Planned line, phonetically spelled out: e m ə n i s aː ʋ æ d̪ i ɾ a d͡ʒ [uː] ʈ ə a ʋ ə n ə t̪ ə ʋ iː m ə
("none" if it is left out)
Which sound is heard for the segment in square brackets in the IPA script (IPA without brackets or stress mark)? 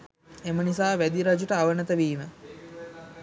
u